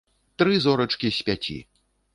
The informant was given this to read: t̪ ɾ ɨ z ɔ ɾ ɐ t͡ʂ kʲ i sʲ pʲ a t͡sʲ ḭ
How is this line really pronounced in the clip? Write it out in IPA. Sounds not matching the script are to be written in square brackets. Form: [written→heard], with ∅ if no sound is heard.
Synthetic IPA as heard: t̪ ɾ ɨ z ɔ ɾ ɐ t͡ʂ kʲ i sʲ pʲ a t͡sʲ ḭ